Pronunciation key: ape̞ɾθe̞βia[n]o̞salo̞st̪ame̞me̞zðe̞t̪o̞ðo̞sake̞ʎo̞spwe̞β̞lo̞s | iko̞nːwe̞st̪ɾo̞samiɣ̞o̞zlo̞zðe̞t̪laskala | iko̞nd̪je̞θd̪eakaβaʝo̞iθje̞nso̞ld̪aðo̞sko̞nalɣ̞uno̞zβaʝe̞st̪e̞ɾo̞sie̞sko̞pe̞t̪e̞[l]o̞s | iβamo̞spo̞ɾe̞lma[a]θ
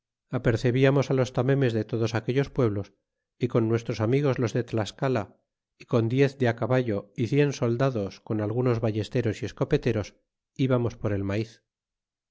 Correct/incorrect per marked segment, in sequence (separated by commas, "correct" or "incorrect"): incorrect, incorrect, incorrect